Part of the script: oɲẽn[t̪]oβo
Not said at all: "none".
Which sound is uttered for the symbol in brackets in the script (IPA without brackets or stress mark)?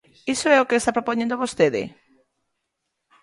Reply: d̪